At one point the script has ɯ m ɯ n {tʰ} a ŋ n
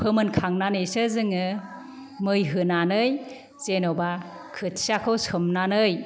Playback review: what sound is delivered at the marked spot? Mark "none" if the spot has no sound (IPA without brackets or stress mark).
kʰ